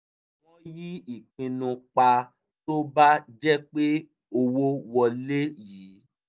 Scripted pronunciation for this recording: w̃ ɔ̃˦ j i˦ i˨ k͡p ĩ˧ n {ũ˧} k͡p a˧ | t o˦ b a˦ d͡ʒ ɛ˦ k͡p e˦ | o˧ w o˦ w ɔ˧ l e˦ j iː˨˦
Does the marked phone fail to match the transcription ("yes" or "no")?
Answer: no